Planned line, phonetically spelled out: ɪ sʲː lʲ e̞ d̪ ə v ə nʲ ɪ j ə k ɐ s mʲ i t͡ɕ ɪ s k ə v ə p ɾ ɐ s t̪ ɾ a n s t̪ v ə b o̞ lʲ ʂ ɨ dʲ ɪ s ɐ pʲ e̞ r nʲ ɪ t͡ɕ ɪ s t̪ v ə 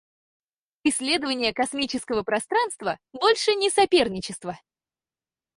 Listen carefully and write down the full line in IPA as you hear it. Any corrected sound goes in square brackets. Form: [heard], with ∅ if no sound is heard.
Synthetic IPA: ɪ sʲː lʲ e̞ d̪ ə v ə nʲ ɪ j ə k ɐ s mʲ i t͡ɕ ɪ s k ə v ə p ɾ ɐ s t̪ ɾ a n s t̪ v ə b o̞ lʲ ʂ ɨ [nʲ] ɪ s ɐ pʲ e̞ r nʲ ɪ t͡ɕ ɪ s t̪ v ə